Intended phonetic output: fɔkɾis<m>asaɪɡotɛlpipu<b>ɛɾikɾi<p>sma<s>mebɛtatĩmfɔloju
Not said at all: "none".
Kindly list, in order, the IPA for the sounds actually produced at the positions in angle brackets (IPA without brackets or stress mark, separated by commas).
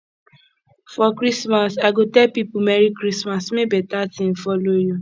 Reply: m, m, none, s